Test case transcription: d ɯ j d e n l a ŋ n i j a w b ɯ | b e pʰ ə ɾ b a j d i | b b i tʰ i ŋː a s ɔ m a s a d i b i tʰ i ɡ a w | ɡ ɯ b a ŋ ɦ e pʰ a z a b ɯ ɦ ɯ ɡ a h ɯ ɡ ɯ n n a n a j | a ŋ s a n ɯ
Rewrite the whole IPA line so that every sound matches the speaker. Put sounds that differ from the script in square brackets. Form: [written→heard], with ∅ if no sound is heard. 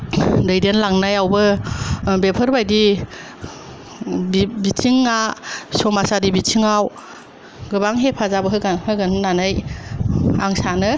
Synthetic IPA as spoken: d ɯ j d e n l a ŋ n [i→a] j a w b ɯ | b e pʰ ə ɾ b a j d i | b b i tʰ i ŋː a s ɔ m a s a d i b i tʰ i [ɡ→ŋ] a w | ɡ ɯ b a ŋ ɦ e pʰ a z a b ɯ ɦ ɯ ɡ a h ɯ ɡ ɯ n n a n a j | a ŋ s a n ɯ

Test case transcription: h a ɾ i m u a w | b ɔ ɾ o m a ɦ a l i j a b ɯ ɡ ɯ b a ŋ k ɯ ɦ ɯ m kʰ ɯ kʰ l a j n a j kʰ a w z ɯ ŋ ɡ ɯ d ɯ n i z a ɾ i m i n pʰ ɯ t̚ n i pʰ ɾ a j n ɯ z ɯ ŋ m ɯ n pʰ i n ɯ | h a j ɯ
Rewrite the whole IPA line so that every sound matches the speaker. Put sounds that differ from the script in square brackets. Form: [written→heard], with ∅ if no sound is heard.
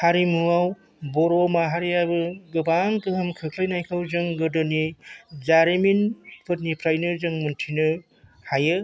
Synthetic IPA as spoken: h a ɾ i m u a w | b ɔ ɾ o m a ɦ a [l→ɾ] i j a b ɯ ɡ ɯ b a ŋ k ɯ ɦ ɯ m kʰ ɯ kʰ l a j n a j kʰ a w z ɯ ŋ ɡ ɯ d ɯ n i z a ɾ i m i n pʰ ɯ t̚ n i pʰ ɾ a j n ɯ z ɯ ŋ m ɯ n [pʰ→tʰ] i n ɯ | h a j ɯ

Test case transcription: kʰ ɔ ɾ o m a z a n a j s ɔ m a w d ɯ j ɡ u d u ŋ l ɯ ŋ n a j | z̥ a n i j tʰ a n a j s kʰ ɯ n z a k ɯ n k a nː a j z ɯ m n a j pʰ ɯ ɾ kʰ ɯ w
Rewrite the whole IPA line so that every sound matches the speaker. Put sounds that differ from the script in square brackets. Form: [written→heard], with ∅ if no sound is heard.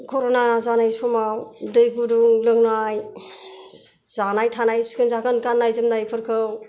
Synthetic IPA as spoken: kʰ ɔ ɾ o [m→n] a z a n a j s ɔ m a w d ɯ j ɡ u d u ŋ l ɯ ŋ n a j | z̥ a n [i→a] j tʰ a n a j s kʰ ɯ n z a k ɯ n k a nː a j z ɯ m n a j pʰ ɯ ɾ kʰ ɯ w

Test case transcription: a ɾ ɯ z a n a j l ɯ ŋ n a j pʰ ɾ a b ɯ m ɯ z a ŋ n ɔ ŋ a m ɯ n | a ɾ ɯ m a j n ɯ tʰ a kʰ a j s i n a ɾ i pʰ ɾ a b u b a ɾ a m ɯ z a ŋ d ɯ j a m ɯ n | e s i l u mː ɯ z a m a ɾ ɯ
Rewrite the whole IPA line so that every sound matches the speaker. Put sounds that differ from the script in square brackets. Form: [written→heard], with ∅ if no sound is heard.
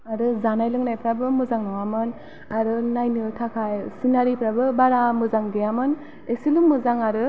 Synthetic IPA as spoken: a ɾ ɯ z a n a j l ɯ ŋ n a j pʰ ɾ a b ɯ m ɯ z a ŋ n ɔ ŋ a m ɯ n | a ɾ ɯ [m→n] a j n ɯ tʰ a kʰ a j s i n a ɾ i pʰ ɾ a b [u→ɯ] b a ɾ a m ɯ z a ŋ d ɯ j a m ɯ n | e s i l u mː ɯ z a [m→ŋ] a ɾ ɯ

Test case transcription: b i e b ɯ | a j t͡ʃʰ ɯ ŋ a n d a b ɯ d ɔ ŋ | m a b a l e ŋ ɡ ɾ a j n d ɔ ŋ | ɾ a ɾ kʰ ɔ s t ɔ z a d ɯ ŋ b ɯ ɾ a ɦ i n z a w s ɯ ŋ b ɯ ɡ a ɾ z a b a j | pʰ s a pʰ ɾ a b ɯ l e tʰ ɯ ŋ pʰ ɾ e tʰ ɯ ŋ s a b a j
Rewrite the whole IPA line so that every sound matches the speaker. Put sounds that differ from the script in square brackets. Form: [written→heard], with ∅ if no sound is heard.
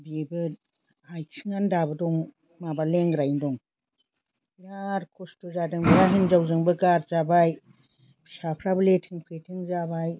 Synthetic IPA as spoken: b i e b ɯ | a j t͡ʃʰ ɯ ŋ a n d a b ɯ d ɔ ŋ | m a b a l e ŋ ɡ ɾ a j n d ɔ ŋ | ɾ a ɾ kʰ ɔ s t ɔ z a d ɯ ŋ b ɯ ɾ a ɦ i n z a w [s→z] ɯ ŋ b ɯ ɡ a ɾ z a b a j | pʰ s a pʰ ɾ a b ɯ l e tʰ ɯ ŋ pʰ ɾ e tʰ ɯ ŋ [s→z] a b a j

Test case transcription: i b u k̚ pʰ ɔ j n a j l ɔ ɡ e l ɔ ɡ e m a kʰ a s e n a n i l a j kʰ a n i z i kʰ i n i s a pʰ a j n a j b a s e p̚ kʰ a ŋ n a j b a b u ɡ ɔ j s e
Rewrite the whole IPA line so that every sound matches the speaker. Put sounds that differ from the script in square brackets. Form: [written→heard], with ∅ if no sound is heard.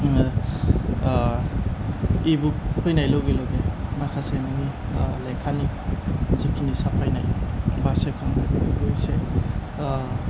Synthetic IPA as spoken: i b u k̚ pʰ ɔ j n a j l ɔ ɡ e l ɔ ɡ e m a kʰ a s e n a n i l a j kʰ a n i z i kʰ i n i s a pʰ a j n a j b a s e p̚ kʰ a ŋ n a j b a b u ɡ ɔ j s e

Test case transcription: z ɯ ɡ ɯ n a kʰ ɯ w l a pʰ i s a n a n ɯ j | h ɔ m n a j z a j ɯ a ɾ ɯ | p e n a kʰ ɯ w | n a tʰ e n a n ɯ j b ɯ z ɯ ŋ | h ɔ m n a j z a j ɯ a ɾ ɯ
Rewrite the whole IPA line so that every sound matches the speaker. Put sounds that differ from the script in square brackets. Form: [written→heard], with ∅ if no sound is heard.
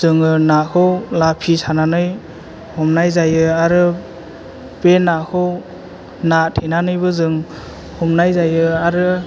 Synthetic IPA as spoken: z ɯ [ɡ→ŋ] ɯ n a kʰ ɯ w l a pʰ i s a n a n ɯ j | h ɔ m n a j z a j ɯ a ɾ ɯ | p e n a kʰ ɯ w | n a tʰ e n a n ɯ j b ɯ z ɯ ŋ | h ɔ m n a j z a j ɯ a ɾ ɯ

